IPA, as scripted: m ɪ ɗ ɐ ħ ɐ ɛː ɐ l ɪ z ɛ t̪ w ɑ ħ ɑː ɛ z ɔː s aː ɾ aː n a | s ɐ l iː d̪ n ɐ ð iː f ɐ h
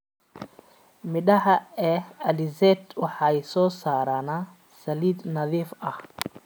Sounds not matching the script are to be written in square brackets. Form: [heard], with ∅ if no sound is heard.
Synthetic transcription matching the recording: m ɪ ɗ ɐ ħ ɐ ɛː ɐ l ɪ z ɛ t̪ w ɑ ħ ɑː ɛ [s] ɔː s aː ɾ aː n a | s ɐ l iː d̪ n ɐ ð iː f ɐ h